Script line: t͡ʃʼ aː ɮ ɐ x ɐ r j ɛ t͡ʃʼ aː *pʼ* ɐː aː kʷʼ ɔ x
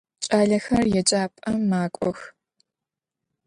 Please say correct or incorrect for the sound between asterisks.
correct